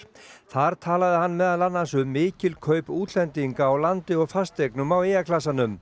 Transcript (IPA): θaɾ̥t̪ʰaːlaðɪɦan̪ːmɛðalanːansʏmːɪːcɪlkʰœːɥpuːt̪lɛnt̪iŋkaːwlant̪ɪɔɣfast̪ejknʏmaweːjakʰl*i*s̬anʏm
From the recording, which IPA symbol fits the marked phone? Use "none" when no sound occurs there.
a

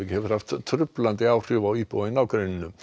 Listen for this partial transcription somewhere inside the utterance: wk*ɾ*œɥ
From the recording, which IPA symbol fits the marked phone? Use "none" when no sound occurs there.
ɾ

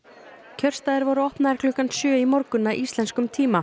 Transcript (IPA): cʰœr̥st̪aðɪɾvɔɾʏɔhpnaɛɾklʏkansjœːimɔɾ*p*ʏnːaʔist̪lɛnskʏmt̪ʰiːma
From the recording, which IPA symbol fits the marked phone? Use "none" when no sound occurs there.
k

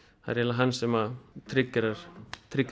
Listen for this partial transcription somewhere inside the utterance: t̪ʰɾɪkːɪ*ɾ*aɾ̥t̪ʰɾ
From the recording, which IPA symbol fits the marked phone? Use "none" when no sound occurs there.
ɾ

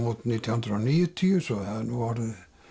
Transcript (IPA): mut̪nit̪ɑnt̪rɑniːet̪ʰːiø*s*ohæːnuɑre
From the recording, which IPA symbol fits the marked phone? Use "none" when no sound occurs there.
s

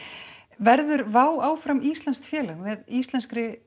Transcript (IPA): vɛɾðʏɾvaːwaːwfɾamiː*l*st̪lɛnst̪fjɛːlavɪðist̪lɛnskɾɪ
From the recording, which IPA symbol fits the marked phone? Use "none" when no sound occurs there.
none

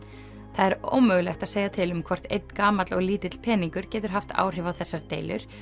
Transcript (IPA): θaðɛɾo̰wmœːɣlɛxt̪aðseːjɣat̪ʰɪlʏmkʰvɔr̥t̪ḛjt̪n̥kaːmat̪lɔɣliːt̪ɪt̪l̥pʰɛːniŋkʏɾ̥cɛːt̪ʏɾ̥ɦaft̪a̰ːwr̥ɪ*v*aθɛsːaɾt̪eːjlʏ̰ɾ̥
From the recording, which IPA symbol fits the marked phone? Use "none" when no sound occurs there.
v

